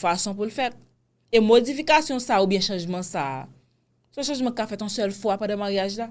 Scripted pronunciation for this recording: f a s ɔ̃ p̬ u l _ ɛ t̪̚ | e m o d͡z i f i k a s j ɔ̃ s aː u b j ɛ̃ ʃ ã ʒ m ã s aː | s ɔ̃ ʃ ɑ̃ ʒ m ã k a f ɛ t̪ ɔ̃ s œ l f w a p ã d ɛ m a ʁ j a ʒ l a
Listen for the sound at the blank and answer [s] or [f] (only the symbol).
f